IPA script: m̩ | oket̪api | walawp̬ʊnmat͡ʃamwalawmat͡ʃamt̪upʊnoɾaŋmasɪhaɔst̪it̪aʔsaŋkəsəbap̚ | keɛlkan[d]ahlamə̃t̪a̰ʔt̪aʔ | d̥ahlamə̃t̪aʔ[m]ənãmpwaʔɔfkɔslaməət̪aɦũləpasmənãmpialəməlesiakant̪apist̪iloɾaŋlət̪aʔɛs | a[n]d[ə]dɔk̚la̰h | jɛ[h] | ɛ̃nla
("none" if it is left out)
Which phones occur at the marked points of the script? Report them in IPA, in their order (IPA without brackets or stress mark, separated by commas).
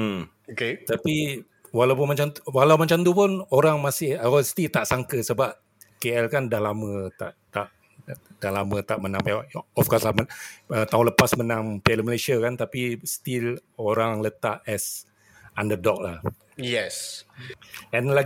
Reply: d, m, n, ə, s